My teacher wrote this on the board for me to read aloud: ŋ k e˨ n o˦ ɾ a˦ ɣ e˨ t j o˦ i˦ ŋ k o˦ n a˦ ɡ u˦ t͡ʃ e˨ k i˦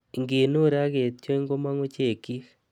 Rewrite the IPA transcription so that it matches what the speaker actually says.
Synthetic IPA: ŋ ɡ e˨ n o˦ ɾ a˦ ɣ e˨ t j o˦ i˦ ŋ ɡ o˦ m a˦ ŋ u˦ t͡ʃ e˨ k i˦